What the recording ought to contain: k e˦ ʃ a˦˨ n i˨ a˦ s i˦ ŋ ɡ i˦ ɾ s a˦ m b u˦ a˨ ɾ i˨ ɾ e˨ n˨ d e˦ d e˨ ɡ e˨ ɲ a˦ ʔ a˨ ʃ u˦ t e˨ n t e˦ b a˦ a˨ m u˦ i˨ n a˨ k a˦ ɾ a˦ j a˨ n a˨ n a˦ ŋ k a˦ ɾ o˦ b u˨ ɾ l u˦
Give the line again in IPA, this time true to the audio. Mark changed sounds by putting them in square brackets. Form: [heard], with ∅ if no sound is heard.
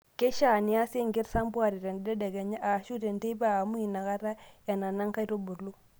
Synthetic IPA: k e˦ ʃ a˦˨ n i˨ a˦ s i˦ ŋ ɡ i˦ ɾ s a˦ m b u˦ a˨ ɾ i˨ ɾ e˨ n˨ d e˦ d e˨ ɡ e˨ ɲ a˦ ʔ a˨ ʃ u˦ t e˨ n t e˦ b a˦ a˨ m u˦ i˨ n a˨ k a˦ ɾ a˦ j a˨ n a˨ n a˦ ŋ k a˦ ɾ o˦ b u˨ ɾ l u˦